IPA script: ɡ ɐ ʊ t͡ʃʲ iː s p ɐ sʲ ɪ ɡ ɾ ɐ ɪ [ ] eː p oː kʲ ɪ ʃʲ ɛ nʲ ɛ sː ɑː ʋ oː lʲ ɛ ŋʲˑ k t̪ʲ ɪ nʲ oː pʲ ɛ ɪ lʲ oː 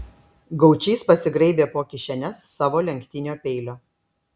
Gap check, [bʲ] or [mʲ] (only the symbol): bʲ